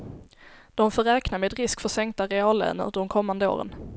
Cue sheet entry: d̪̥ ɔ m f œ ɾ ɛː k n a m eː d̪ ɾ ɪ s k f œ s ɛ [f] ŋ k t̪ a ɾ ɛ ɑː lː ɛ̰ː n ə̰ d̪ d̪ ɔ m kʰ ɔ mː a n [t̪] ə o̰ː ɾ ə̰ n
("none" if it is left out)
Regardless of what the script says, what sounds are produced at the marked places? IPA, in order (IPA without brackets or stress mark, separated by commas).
none, d̪